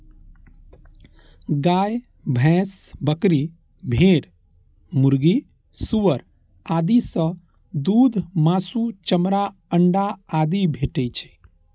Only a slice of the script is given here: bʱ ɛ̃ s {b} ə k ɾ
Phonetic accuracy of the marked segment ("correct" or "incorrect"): correct